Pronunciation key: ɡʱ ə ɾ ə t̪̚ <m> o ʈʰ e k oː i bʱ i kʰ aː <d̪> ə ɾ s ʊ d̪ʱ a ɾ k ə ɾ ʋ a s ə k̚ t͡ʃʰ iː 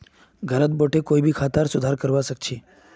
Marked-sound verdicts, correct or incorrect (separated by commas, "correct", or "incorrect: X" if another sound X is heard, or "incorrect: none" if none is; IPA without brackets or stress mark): incorrect: b, incorrect: t̪